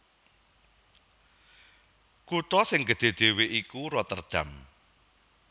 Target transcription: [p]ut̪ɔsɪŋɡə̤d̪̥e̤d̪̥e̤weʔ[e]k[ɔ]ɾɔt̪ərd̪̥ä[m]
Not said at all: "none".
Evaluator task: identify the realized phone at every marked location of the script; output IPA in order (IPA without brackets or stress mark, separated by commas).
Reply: k, i, u, m